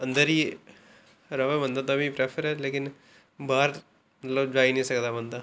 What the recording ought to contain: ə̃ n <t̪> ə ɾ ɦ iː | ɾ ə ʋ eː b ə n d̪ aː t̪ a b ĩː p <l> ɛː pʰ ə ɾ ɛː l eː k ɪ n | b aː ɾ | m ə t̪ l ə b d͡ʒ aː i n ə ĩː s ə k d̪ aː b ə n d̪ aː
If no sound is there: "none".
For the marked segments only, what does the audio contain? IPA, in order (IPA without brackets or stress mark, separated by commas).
d̪, ɾ